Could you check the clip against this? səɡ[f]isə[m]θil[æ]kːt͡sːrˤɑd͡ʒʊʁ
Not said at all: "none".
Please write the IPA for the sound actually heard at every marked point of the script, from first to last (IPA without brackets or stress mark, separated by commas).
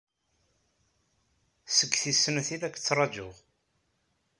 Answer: θ, n, æ